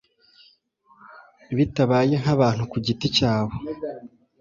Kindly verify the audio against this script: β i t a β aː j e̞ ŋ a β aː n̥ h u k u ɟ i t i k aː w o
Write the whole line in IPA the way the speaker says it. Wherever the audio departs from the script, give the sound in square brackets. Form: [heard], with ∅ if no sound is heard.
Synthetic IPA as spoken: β i t a β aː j e̞ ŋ a β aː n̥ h u k u ɟ i t i [c] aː [β] o

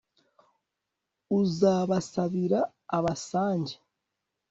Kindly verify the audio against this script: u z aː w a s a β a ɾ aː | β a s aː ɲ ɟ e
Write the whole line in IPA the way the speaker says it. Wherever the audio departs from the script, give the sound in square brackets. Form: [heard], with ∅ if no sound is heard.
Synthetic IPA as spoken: u z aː [β] a s a β [i] ɾ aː | β a s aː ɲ ɟ e

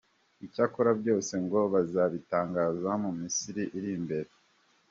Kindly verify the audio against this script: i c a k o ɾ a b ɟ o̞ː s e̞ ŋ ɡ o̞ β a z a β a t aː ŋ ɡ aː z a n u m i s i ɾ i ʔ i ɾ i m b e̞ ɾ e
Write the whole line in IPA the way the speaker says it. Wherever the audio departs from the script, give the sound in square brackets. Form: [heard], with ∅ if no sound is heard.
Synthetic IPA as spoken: i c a k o ɾ a b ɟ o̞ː s e̞ ŋ ɡ o̞ β a z a β [i] t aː ŋ ɡ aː z a [m] u m i s i ɾ i ʔ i ɾ i m b e̞ ɾ e

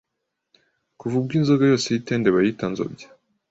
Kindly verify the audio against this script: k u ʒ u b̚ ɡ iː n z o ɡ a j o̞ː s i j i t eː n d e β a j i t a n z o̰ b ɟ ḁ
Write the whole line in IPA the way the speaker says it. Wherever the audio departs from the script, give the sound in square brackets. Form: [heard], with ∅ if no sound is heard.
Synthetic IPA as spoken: k u [v] u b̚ ɡ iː n z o ɡ a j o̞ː s [e] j i t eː n d e β a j i t a n z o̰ b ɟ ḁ

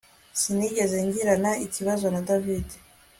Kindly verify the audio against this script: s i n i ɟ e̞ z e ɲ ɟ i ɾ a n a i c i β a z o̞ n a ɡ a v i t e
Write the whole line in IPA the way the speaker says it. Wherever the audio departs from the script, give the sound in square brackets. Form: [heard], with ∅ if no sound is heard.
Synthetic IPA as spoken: s i n i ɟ e̞ z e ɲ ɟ i ɾ a n a i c i β a z o̞ n a [d] a v i [d] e

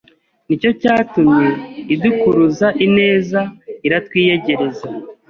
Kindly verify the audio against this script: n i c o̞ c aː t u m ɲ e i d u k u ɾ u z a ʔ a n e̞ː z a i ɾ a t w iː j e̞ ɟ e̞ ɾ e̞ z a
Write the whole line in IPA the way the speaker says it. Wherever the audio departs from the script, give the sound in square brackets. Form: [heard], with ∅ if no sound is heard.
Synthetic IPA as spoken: n i c o̞ c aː t u m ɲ e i d u k u ɾ u z a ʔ [i] n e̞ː z a i ɾ a t w iː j e̞ ɟ e̞ ɾ e̞ z a

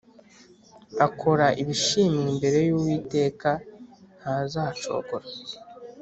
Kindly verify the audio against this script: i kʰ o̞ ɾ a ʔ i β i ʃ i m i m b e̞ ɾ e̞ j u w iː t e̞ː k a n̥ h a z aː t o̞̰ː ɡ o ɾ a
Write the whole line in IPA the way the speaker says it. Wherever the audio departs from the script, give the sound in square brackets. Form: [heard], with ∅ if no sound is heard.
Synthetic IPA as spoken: [a] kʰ o̞ ɾ a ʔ i β i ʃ i m i m b e̞ ɾ e̞ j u w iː t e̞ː k a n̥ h a z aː [t͡ʃ] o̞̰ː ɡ o ɾ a

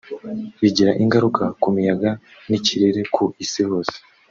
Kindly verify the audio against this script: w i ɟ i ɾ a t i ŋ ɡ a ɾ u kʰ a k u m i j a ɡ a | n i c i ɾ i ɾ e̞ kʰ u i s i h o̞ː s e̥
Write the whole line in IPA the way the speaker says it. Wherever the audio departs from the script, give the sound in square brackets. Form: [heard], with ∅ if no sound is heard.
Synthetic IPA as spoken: [β] i ɟ i ɾ a [ʔ] i ŋ ɡ a ɾ u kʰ a k u m i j a ɡ a | n i c i ɾ i ɾ e̞ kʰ u i s i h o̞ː s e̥

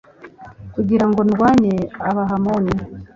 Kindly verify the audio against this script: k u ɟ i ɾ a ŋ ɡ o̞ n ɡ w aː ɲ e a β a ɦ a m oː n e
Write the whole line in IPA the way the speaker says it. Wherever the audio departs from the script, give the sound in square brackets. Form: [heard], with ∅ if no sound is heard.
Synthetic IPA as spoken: k u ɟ i ɾ a ŋ ɡ o̞ n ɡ w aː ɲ e a β a ɦ a m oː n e

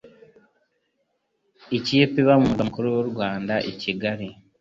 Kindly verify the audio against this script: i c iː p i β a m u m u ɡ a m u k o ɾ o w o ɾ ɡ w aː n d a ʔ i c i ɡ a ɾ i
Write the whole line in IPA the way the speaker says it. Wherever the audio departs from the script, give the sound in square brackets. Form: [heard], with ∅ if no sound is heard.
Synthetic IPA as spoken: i c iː p i β a m u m u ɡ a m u k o ɾ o w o ɾ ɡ w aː n d a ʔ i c i ɡ a ɾ i

